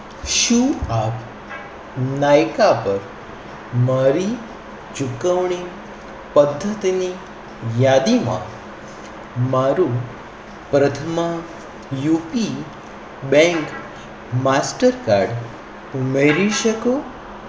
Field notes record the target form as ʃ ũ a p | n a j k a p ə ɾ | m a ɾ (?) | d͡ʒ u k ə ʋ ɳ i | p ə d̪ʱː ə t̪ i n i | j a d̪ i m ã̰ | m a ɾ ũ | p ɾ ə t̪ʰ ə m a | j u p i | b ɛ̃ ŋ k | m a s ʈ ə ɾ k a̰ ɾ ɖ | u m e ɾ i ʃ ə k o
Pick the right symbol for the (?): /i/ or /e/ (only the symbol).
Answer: i